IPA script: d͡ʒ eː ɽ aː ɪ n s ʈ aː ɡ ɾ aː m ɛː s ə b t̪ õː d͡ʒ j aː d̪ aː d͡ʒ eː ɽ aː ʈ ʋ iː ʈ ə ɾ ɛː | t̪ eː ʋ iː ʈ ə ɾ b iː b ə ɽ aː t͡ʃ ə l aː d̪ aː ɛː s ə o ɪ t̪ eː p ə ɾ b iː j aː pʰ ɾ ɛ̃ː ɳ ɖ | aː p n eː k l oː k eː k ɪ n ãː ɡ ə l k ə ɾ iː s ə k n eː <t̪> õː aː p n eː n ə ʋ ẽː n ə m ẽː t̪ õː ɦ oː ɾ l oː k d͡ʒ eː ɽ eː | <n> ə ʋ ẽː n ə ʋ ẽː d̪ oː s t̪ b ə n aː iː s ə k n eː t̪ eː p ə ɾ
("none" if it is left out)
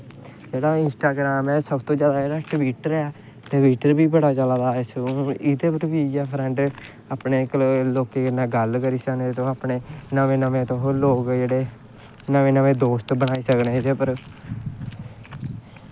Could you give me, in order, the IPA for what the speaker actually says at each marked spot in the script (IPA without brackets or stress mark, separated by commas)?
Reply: t̪, n